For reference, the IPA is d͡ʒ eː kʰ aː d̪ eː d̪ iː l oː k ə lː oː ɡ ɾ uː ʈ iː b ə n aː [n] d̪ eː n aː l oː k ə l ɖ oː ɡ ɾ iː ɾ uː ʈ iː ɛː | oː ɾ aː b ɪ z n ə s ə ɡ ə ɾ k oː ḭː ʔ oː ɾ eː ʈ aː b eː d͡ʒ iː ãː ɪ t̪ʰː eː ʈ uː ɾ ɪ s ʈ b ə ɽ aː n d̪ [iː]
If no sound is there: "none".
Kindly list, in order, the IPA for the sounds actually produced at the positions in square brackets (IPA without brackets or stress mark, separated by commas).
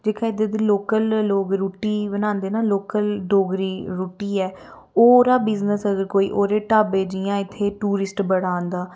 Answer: n, aː